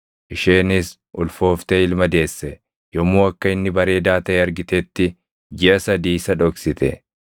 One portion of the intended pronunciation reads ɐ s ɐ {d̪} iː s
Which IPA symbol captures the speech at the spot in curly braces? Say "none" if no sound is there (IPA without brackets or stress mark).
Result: d̪